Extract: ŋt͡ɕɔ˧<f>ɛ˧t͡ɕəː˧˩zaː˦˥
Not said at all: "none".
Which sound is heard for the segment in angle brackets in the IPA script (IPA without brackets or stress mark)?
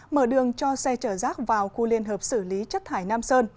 s